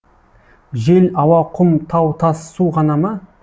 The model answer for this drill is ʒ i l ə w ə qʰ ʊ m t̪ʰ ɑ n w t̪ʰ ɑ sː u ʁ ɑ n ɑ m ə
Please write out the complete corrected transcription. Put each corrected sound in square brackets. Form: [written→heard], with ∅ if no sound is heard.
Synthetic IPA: ʒ [i→e] l [ə→ɑ] w [ə→ɑ] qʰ ʊ m t̪ʰ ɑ [n→∅] w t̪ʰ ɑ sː u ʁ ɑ n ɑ m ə